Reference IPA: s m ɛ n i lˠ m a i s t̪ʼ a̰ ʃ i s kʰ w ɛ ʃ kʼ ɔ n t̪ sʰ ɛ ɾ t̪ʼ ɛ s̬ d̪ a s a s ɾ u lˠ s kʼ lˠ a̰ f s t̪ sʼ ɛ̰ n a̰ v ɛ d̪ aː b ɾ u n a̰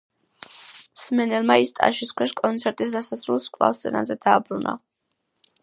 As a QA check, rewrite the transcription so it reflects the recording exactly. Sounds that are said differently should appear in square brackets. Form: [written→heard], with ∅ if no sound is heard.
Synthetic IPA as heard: s m ɛ n [i→ɛ] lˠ m a i s t̪ʼ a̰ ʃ i s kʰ w ɛ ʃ kʼ ɔ n t̪ sʰ ɛ ɾ t̪ʼ [ɛ→i] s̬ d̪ a s a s ɾ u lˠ s kʼ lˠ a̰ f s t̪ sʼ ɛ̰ n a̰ [v→z] ɛ d̪ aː b ɾ u n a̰